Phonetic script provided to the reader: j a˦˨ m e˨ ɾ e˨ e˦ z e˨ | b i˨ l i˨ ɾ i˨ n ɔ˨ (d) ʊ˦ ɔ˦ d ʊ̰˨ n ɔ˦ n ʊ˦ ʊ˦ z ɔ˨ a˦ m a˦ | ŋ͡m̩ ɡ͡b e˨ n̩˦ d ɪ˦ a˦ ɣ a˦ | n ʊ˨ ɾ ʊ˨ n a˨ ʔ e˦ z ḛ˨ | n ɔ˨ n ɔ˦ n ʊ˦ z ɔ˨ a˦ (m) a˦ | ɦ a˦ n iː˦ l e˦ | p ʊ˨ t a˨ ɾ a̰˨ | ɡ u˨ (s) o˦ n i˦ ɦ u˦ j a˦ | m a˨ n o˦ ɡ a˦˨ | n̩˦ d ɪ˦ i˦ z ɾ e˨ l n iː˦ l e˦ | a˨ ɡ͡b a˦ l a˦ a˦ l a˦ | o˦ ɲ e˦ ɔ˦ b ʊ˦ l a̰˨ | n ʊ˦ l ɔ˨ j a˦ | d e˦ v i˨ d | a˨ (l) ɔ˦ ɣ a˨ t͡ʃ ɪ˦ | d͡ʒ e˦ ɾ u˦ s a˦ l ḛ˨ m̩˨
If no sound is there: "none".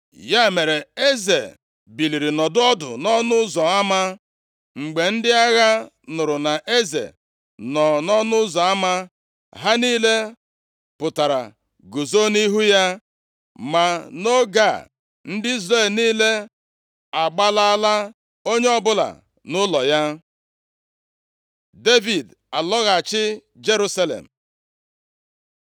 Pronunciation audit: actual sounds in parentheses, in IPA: d, m, z, l

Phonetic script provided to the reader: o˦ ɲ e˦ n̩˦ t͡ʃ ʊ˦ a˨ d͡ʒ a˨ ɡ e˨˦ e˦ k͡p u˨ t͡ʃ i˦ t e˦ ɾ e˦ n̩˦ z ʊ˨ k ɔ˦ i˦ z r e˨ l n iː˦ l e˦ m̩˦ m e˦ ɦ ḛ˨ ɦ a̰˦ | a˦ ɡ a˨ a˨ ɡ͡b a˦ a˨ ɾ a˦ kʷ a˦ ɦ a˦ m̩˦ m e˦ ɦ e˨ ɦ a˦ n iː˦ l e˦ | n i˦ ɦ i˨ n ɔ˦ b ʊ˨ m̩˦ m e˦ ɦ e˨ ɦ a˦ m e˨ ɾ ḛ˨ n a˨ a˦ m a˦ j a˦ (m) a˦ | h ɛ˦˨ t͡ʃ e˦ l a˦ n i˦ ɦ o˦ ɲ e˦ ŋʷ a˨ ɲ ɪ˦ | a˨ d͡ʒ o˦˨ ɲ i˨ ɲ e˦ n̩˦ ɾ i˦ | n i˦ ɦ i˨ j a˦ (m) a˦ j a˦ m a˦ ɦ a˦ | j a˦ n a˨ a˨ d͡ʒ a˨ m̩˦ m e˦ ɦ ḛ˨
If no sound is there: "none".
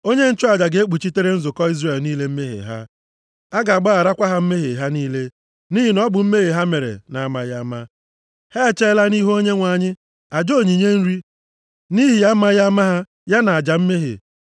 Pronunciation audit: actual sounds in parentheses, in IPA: m, m

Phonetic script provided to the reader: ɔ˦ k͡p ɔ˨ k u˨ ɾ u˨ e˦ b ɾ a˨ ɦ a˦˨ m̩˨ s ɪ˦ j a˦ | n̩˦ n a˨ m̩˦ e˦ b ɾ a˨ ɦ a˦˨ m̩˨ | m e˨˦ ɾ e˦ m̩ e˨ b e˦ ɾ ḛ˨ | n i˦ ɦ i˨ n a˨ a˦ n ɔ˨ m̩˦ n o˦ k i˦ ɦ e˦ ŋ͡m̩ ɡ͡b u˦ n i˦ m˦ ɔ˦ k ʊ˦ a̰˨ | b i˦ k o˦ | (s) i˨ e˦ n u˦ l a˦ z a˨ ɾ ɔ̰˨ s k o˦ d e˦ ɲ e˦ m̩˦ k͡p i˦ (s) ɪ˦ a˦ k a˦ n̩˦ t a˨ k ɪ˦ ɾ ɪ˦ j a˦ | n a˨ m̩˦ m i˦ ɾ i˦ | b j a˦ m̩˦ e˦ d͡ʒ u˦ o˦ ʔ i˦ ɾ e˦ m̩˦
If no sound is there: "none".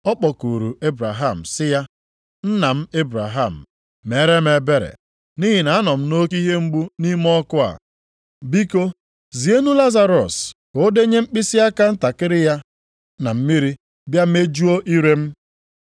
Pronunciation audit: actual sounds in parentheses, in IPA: z, s

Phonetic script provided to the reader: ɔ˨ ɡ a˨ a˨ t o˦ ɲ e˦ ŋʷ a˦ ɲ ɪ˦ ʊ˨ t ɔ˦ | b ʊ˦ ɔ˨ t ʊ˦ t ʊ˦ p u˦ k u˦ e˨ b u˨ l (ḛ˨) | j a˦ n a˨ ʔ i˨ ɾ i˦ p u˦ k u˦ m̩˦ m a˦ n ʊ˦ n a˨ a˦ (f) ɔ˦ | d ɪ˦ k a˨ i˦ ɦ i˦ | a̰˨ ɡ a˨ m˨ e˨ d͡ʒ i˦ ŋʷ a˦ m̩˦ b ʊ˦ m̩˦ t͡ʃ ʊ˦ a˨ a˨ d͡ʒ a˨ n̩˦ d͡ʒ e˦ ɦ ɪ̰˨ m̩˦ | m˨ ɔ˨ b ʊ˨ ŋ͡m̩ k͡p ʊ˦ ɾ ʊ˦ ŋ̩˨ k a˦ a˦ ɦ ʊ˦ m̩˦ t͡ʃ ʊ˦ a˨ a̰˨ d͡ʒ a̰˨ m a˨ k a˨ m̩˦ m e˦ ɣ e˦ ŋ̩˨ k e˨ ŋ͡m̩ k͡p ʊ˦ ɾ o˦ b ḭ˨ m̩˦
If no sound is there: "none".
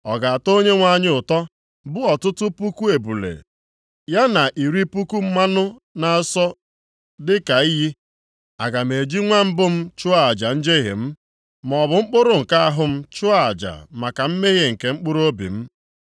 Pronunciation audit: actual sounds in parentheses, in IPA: ḛ˨, s

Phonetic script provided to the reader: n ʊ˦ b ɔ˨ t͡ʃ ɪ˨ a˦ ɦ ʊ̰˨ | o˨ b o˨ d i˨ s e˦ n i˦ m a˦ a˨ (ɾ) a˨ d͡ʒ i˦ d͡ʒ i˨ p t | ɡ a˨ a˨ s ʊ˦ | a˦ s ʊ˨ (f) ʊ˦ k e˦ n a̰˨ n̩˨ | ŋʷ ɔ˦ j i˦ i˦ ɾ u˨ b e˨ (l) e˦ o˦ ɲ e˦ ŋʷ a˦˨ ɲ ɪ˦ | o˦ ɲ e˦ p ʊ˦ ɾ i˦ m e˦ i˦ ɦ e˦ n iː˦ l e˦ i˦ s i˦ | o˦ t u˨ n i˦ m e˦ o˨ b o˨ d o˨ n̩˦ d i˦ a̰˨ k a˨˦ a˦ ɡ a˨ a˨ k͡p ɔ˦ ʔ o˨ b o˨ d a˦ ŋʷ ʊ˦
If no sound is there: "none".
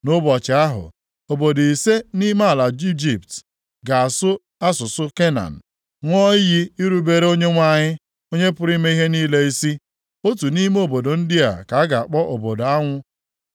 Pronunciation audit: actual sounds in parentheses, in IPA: l, s, ɾ

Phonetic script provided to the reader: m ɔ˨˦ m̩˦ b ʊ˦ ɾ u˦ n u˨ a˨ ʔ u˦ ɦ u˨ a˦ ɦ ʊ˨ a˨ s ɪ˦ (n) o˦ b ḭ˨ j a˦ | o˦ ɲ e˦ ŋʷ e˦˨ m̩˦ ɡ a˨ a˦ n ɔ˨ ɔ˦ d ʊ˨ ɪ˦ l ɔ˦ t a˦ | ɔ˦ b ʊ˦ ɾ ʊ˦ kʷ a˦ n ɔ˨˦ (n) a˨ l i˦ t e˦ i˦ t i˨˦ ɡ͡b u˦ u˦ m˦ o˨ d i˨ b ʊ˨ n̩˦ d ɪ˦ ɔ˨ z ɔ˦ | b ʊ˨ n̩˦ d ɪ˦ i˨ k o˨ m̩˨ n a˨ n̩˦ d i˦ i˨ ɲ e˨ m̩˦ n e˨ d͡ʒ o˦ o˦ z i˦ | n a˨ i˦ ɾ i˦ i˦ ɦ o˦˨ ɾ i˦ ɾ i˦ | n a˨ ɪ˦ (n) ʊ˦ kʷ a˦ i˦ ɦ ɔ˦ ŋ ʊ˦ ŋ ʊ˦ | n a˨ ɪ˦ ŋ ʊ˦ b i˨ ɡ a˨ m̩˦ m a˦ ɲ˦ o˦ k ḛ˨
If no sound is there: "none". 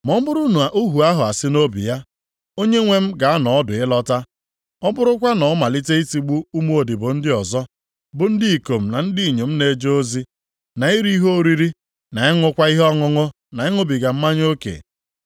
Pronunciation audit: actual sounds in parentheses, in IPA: n, m, ŋ

